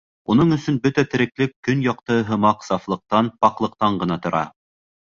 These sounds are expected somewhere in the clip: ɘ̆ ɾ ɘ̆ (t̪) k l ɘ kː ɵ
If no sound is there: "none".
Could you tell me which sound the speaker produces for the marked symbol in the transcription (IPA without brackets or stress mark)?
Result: none